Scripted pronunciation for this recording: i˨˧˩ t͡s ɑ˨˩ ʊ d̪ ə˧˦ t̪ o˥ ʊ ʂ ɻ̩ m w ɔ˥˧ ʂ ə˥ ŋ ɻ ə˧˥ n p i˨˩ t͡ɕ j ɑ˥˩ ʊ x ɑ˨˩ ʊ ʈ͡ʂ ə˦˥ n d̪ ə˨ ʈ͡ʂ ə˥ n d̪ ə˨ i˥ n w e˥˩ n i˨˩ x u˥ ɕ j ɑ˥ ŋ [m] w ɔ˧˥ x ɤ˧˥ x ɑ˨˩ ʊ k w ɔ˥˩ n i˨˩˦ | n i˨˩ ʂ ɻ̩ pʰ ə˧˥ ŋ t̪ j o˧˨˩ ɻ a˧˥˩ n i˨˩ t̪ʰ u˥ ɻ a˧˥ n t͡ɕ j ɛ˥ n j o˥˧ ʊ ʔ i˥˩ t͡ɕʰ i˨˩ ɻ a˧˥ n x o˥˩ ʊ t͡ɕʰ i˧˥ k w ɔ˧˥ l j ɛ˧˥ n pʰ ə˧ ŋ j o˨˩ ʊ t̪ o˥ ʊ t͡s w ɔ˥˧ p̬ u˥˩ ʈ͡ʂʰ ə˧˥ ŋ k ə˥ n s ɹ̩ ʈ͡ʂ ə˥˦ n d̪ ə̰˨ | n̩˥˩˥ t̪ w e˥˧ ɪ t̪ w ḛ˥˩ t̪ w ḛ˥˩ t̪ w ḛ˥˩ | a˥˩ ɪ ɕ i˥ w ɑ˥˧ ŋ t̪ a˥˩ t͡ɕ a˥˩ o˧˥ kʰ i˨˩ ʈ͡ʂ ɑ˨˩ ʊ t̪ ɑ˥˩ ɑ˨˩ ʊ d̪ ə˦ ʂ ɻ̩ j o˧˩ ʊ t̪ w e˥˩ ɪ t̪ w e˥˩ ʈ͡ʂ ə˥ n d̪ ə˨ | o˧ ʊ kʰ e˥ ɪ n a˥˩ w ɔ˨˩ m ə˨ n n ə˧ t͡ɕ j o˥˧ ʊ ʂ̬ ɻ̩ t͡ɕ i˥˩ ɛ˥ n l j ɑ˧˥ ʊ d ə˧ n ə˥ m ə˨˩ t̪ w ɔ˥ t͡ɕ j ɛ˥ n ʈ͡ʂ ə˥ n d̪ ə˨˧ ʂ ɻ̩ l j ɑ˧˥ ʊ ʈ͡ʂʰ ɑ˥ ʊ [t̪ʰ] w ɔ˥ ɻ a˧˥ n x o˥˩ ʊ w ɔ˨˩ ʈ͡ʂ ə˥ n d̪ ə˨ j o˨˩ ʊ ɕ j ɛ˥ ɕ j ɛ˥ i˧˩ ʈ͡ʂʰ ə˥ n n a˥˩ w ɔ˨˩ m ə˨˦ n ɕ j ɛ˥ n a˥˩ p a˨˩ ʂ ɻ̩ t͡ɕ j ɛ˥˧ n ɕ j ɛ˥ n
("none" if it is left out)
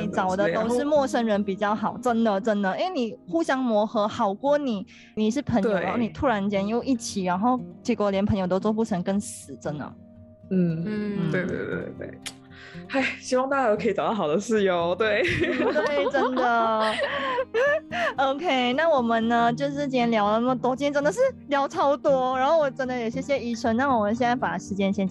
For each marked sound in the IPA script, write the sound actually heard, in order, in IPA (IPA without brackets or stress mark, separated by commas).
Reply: m, t̪